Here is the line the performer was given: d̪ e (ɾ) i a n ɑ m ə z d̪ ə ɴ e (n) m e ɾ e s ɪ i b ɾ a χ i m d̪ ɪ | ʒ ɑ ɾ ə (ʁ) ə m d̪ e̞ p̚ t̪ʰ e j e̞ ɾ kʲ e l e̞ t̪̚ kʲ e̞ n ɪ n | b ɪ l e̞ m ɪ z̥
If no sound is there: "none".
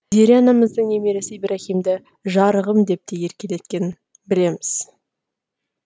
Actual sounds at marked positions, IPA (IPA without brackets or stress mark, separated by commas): ɾ, none, ʁ